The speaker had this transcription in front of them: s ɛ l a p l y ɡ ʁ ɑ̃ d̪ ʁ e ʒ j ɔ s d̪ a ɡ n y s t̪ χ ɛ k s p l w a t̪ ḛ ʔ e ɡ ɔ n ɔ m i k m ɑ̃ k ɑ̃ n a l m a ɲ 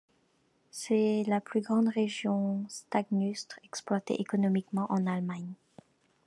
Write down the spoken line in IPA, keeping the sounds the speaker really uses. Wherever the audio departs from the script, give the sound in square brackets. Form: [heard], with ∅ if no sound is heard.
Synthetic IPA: s ɛ l a p l y ɡ ʁ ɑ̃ d̪ ʁ e ʒ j [ɔ̃] s [t̪] a ɡ n y s t̪ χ ɛ k s p l w a t̪ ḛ ʔ e [k] ɔ n ɔ m i k m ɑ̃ [ʔ] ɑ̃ n a l m a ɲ